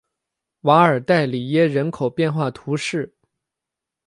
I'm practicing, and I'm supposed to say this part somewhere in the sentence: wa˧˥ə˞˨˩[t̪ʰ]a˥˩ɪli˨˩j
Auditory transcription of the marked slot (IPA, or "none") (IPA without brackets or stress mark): t̪